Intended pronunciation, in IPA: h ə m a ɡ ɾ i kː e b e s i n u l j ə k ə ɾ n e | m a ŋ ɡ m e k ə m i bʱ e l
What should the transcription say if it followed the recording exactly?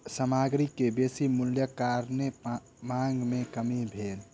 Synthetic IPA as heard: s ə m a ɡ ɾ i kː e b e s i m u l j ə k a ɾ n e | m a ŋ ɡ m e k ə m i bʱ e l